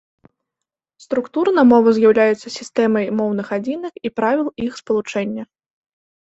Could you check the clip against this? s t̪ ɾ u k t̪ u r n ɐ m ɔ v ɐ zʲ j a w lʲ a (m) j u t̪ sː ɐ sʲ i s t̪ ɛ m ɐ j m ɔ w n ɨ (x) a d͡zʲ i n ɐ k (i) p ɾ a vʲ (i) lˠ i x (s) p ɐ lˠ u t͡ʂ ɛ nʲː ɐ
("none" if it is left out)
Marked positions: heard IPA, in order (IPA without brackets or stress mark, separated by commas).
none, x, i, i, s